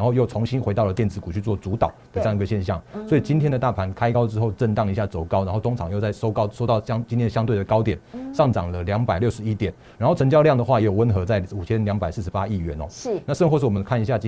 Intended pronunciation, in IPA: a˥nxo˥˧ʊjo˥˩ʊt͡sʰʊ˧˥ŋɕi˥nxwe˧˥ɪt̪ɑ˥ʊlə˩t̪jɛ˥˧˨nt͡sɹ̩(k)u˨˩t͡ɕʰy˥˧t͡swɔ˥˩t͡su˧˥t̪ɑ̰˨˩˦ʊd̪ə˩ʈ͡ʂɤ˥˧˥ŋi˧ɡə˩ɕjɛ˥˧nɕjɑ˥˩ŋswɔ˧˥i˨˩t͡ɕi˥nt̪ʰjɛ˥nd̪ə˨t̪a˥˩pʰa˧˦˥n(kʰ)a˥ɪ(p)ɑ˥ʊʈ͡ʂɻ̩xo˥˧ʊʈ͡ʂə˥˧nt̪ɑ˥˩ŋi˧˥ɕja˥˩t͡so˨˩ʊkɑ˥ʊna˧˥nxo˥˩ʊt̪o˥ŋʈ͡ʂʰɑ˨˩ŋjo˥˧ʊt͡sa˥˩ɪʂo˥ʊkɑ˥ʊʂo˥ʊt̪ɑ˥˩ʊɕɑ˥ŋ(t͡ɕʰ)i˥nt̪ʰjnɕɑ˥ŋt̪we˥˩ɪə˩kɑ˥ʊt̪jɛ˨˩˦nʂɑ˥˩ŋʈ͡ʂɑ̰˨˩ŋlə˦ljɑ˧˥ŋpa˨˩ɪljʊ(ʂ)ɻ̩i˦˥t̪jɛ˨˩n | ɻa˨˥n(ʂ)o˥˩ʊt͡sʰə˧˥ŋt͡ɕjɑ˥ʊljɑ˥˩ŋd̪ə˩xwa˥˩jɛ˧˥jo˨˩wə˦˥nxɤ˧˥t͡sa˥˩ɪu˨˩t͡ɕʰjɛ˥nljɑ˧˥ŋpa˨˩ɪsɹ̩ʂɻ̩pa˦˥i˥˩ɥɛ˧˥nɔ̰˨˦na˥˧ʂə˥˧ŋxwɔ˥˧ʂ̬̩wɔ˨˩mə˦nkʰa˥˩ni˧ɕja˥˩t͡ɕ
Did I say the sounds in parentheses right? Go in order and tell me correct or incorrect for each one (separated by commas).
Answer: correct, correct, incorrect, incorrect, correct, incorrect